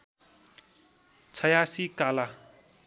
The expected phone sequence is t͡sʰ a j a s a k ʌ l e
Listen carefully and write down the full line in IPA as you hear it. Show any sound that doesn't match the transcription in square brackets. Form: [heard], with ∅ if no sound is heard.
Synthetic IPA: t͡sʰ [ʌ] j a s [i] k [a] l [a]